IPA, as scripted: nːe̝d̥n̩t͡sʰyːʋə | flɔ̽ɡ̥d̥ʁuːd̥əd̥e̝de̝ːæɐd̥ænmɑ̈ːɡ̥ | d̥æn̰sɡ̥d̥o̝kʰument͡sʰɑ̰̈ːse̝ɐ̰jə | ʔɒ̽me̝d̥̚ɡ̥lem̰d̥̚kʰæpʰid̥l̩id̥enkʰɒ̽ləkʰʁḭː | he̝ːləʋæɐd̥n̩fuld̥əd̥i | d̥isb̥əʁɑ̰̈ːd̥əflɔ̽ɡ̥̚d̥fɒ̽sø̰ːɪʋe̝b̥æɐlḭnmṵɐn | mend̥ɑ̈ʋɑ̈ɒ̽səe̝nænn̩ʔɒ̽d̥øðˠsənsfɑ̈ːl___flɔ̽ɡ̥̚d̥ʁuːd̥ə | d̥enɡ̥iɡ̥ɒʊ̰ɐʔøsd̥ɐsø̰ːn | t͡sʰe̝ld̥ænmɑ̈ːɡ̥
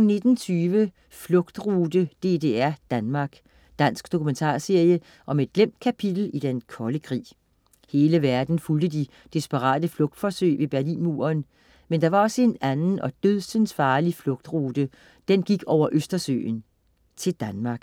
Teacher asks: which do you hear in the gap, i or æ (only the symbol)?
i